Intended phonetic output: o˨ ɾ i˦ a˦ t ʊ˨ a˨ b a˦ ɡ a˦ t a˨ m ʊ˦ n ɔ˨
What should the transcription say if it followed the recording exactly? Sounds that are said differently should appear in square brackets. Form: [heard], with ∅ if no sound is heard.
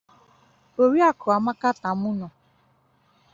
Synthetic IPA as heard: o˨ ɾ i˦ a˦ [k] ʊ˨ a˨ [m] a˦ [k] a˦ t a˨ m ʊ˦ n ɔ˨